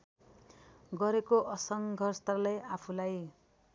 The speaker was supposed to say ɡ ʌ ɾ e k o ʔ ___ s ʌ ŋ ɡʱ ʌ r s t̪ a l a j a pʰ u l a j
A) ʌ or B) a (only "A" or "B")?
A